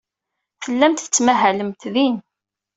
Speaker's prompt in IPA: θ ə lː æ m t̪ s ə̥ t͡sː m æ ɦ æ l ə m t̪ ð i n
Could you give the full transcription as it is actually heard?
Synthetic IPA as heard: θ ə lː æ m t̪ θ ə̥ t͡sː m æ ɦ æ l ə m t̪ ð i n